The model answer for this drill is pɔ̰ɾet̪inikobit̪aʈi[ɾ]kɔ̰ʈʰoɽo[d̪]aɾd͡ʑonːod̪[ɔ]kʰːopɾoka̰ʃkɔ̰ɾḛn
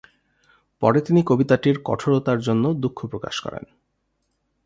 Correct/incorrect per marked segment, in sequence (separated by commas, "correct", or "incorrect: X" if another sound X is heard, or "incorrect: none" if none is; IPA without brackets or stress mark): correct, incorrect: t̪, incorrect: u